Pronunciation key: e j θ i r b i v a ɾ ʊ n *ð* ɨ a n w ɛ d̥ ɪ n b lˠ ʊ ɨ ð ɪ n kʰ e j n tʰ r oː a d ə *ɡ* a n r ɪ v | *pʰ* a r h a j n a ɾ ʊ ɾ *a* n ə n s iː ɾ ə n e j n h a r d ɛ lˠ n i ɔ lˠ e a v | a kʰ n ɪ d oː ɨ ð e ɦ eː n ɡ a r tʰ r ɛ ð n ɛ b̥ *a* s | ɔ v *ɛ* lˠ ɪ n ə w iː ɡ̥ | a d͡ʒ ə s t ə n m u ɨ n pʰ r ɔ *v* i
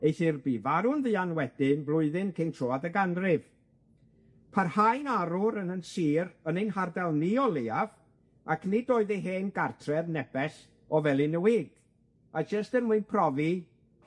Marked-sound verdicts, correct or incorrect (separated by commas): correct, correct, correct, incorrect, incorrect, correct, correct